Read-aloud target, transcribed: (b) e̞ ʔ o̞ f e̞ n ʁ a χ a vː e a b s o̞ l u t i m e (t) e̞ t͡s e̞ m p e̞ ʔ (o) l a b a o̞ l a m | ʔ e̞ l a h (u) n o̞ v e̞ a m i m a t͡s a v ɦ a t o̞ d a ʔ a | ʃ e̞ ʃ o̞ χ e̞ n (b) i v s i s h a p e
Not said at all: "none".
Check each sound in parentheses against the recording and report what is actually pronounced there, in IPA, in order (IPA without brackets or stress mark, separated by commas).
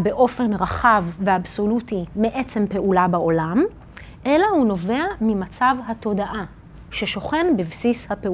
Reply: b, ʔ, u, u, b